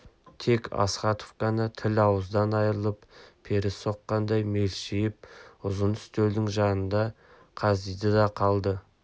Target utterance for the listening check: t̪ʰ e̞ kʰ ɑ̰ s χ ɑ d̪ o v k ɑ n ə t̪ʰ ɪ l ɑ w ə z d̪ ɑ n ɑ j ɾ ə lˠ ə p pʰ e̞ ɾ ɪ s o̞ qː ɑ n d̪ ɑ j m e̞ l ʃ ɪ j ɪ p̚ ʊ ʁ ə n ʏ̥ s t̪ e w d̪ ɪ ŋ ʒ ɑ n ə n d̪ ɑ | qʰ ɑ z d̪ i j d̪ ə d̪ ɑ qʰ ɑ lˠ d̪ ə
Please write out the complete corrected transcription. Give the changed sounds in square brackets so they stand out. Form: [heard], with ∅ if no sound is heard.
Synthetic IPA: t̪ʰ e̞ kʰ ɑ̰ s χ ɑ [t̪] o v k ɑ n ə t̪ʰ ɪ l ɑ w ə z d̪ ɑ n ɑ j ɾ ə lˠ ə p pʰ e̞ ɾ ɪ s o̞ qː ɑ n d̪ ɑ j m e̞ l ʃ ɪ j ɪ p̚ ʊ [z] ə n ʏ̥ s t̪ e w d̪ ɪ ŋ ʒ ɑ n ə n d̪ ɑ | qʰ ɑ z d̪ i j d̪ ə d̪ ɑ qʰ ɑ lˠ d̪ ə